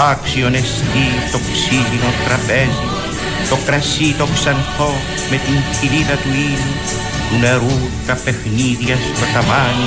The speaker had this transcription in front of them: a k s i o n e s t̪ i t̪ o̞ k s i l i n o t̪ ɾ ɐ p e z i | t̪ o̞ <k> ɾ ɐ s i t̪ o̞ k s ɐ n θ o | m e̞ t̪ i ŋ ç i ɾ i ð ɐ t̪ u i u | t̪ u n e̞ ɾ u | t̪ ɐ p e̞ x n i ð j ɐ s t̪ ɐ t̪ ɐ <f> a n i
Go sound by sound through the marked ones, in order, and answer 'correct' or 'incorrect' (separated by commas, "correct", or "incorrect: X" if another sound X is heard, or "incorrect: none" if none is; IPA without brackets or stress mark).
correct, incorrect: v